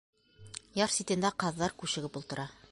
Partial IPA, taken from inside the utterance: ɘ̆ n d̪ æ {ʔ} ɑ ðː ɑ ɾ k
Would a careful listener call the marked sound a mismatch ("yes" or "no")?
yes